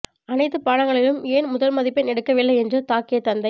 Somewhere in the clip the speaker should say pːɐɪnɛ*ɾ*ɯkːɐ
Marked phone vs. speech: incorrect: ɽ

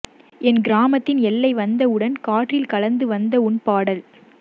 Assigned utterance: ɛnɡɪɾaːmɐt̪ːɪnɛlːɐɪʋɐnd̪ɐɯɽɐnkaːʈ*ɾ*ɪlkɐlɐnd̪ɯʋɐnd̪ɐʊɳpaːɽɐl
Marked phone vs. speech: incorrect: r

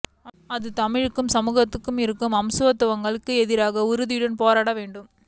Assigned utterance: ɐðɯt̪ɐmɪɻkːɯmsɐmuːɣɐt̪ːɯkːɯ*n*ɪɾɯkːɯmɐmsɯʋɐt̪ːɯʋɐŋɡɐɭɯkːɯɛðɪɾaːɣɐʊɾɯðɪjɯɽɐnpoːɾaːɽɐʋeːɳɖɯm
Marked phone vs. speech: incorrect: m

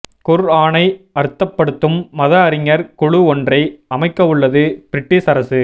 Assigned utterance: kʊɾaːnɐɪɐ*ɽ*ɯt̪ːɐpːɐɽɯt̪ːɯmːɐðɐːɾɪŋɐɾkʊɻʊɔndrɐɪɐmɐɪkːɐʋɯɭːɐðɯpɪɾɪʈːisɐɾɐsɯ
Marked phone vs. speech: incorrect: ɾ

